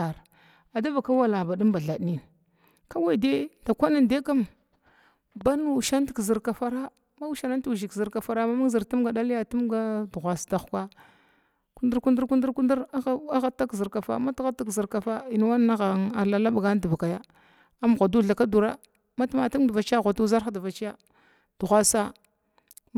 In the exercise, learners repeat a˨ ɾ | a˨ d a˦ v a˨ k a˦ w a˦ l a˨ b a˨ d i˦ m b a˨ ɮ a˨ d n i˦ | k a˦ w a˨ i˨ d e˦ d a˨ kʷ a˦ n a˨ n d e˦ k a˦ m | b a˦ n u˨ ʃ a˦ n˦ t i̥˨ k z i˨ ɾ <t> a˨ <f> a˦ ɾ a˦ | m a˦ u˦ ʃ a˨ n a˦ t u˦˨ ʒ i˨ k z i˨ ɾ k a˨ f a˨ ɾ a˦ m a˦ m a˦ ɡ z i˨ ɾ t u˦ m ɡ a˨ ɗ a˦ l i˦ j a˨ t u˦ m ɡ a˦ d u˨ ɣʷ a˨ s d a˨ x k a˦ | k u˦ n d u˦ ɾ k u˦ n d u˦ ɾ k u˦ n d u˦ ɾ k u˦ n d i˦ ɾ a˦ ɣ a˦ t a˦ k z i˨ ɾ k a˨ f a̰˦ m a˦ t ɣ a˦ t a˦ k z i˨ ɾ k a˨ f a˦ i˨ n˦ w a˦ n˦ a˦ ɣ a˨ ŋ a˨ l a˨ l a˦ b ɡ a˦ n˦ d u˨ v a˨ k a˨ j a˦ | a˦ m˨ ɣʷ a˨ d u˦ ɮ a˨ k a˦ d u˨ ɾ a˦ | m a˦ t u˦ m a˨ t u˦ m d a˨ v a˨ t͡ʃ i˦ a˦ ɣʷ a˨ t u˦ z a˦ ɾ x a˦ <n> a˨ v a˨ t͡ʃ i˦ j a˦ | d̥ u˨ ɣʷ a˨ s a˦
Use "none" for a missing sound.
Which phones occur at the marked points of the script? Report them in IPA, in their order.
k, f, d

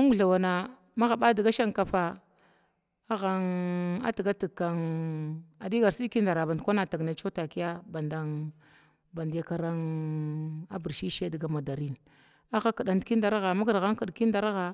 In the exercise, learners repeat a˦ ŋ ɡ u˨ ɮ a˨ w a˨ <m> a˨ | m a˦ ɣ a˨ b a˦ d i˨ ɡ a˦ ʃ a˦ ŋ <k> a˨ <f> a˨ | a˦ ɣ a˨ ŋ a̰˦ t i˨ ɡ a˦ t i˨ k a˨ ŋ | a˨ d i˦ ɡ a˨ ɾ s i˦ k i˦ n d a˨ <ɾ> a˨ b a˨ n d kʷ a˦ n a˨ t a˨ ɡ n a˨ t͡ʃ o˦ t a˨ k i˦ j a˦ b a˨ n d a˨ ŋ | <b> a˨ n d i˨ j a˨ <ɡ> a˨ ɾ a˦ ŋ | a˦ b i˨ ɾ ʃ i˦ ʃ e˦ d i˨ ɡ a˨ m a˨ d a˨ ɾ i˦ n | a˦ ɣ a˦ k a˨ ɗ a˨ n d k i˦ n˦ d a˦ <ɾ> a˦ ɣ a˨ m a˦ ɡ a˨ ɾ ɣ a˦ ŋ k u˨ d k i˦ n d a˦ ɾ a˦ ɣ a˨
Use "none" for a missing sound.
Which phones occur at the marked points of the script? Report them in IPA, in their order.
n, k, f, ɾ, b, k, ɾ

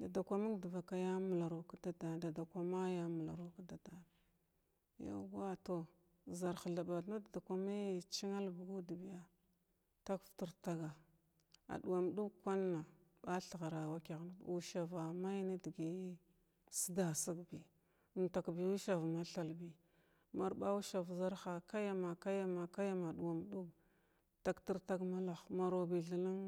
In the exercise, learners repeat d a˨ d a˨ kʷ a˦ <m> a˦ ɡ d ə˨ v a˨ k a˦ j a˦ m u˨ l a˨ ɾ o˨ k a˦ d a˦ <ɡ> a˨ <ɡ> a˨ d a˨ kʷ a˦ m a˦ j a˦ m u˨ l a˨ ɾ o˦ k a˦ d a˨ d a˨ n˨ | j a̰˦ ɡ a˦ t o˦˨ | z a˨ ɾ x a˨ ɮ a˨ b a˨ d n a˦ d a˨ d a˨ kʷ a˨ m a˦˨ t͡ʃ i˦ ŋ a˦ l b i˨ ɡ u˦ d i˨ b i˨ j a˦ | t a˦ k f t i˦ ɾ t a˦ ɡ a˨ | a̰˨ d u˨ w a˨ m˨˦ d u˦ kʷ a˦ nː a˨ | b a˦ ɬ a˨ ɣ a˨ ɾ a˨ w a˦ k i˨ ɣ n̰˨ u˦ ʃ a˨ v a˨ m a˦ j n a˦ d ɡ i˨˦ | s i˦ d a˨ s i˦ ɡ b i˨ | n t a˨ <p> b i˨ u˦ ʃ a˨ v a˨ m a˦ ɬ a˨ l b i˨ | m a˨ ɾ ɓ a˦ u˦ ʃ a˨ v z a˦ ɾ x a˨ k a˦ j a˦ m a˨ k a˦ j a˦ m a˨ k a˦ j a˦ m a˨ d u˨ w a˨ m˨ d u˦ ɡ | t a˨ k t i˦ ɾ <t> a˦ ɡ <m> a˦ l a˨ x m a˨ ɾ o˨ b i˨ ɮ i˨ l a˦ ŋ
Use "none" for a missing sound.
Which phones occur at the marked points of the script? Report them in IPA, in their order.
m, d, d, k, t, m

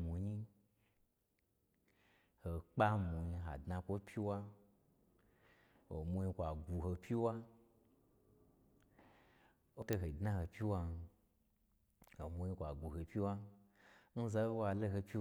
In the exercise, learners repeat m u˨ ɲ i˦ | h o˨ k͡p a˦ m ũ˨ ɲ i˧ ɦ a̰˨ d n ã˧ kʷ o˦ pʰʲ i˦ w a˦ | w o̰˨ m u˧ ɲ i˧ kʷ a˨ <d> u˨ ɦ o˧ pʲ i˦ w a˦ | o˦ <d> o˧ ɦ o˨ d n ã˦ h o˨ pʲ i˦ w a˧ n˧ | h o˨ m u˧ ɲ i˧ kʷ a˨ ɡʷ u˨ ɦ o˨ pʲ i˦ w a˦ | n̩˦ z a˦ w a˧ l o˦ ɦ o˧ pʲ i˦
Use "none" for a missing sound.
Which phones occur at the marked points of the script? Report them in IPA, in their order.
ɡ, t

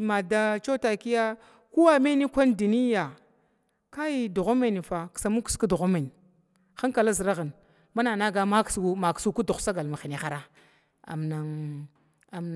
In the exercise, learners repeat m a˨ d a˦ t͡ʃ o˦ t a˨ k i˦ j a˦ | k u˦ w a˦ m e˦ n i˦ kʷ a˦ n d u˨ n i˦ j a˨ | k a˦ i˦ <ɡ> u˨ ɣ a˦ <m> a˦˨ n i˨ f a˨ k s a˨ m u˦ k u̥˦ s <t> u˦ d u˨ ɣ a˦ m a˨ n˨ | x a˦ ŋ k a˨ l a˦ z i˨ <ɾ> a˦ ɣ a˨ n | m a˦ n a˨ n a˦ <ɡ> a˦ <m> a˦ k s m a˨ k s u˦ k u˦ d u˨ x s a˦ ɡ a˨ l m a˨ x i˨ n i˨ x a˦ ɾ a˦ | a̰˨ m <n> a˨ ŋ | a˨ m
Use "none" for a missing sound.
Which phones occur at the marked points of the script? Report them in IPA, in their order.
d, m, k, ɾ, ɡ, m, n

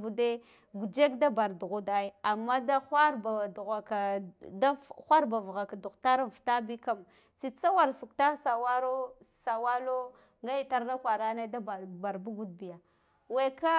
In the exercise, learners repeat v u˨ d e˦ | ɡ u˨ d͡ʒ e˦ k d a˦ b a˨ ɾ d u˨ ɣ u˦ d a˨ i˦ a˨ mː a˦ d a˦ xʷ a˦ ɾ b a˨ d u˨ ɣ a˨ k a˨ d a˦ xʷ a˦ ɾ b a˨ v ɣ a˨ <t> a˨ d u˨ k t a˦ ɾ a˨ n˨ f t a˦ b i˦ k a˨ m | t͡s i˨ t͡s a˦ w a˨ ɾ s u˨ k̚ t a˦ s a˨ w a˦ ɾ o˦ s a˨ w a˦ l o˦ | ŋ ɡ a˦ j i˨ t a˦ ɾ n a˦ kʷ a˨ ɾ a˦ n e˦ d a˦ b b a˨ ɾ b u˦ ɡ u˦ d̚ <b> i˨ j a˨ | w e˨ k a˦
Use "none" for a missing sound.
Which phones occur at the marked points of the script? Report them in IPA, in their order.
k, b

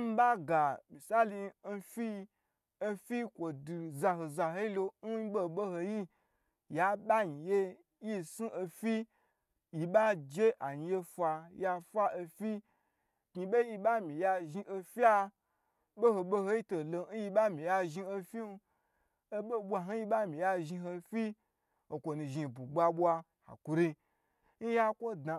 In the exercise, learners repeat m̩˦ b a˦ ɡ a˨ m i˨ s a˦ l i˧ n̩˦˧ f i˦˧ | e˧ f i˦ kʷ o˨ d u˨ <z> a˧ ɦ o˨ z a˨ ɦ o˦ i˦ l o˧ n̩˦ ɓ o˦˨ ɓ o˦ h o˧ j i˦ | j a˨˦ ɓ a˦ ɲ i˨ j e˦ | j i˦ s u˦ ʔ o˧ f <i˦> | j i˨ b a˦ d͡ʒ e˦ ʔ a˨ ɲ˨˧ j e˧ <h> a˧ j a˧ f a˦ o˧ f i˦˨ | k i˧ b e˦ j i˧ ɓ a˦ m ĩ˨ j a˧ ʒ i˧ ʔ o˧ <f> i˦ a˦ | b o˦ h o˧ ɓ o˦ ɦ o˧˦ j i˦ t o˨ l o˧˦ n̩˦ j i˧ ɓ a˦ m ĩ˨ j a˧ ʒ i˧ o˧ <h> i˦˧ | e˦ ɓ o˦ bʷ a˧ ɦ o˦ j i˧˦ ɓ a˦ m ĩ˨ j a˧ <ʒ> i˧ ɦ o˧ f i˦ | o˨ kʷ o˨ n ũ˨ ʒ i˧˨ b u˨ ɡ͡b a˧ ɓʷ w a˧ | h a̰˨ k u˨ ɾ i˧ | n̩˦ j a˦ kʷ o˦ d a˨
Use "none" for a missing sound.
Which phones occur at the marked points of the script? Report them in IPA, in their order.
z, i˦, f, f, f, ʒ

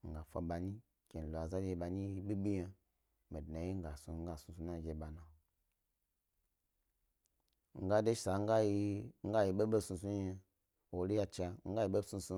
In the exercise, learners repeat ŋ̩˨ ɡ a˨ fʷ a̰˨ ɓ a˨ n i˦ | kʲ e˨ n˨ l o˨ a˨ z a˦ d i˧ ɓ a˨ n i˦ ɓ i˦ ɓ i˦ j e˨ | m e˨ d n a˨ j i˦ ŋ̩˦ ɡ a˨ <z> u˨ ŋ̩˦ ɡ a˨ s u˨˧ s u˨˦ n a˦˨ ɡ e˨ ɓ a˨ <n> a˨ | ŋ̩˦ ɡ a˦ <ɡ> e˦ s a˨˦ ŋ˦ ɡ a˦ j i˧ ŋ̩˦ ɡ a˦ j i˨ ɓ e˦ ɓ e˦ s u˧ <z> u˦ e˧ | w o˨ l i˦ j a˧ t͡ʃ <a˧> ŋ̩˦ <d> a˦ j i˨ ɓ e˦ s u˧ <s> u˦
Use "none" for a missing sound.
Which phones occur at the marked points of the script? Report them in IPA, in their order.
s, n, d, s, a˧, ɡ, s

